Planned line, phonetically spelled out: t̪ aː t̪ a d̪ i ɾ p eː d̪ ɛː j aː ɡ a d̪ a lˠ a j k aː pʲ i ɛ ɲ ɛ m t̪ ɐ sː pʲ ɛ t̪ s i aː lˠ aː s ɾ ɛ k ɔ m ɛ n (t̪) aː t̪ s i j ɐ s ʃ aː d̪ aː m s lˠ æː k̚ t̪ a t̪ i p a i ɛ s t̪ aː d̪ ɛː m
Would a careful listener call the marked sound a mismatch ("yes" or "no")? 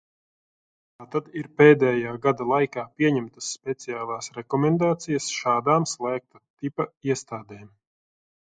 yes